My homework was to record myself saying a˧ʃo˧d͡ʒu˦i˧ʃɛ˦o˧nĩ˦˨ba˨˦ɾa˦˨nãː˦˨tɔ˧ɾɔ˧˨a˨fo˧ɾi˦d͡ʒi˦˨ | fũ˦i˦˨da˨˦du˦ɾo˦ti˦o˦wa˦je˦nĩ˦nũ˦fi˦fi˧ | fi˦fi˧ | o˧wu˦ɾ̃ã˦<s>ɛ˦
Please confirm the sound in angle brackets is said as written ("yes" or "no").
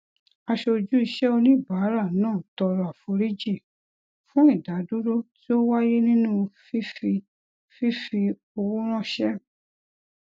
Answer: no